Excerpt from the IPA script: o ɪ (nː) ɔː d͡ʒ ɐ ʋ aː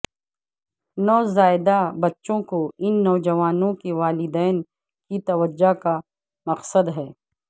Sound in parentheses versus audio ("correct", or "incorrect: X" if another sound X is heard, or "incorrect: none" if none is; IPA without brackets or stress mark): correct